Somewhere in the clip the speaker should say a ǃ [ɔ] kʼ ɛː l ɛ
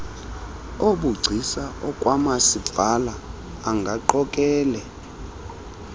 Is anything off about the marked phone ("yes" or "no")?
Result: no